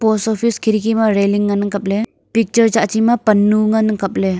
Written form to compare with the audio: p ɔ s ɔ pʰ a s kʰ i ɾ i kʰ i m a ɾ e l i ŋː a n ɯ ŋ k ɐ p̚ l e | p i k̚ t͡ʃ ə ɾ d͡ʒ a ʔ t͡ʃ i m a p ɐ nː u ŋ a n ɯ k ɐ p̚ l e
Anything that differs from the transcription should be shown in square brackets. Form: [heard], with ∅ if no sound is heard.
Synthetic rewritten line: p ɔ s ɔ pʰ [i] s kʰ i ɾ i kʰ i m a ɾ e l i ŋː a n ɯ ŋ k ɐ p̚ l e | p i k̚ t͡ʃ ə ɾ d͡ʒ a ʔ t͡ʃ i m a p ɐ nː u ŋ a n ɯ k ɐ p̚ l e

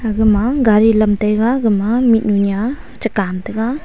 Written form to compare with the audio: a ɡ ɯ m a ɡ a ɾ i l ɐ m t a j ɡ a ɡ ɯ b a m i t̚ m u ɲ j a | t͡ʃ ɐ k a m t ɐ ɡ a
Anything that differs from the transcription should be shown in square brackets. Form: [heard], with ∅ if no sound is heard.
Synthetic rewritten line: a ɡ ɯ m a ɡ a ɾ i l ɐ m t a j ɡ a ɡ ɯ [m] a m i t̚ [n] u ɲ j a | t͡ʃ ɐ k a m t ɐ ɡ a

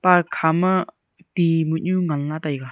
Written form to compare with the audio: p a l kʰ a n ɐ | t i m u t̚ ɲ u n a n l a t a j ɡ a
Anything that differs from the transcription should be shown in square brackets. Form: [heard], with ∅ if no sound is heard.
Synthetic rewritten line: p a [ɾ] kʰ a [m] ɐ | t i m u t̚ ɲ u [ŋ] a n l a t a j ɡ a

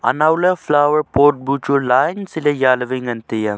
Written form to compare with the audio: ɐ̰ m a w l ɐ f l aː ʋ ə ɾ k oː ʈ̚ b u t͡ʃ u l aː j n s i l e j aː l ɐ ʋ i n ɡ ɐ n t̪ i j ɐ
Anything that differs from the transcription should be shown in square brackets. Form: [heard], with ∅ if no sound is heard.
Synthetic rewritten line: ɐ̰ [n] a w l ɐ f l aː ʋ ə ɾ [p] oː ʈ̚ b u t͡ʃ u l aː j n s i l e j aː l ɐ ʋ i [ŋ] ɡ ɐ n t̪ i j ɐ

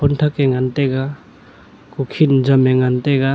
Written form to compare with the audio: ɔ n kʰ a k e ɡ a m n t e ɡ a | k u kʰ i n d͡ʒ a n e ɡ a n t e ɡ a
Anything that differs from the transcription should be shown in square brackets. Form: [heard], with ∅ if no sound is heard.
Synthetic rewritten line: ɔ n [tʰ] a k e [ŋ] a [∅] n t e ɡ a | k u kʰ i n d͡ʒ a [m] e [ŋ] a n t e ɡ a

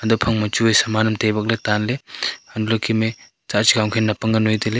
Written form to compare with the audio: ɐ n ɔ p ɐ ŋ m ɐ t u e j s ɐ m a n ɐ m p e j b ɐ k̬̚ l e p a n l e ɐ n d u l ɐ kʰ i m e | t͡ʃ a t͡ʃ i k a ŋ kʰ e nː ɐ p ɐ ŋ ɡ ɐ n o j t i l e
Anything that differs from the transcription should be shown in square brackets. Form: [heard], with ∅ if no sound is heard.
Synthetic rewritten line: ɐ [d] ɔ [pʰ] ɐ ŋ m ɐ [t͡ʃ] u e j s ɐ m a n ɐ m [t] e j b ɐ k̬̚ l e [t] a n l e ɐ n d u l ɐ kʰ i m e | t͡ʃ a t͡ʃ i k a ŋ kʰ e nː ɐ p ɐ ŋ ɡ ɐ n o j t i l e

